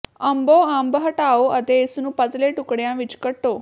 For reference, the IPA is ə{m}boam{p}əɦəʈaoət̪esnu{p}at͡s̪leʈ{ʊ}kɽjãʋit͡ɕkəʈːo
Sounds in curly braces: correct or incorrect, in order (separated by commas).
correct, incorrect, correct, incorrect